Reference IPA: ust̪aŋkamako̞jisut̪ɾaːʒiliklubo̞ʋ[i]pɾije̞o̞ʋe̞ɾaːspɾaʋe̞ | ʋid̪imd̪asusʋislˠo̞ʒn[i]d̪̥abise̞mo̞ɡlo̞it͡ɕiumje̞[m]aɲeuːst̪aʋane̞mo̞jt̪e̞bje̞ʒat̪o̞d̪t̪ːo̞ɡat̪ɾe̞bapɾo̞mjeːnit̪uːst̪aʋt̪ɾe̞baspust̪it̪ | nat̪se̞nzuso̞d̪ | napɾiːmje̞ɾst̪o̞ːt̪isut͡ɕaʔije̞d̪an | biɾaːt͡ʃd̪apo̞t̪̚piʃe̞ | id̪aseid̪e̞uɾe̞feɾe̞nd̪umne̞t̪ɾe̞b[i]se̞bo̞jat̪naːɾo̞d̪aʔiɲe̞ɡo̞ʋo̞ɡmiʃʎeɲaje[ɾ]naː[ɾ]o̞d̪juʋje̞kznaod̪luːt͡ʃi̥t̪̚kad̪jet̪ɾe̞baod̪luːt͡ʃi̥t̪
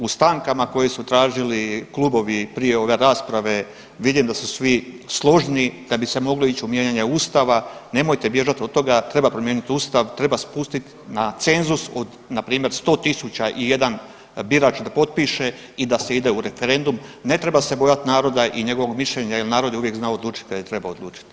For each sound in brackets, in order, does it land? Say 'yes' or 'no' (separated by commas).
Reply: yes, yes, no, no, no, yes